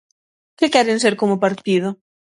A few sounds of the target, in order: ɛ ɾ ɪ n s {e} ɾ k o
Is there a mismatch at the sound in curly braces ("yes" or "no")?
no